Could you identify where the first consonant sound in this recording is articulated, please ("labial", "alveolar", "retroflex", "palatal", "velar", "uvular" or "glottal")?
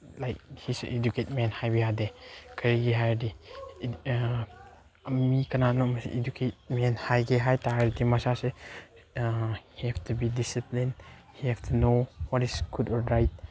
alveolar